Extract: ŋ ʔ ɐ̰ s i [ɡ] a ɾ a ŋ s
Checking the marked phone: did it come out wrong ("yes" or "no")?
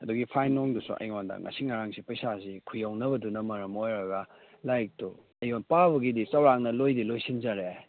yes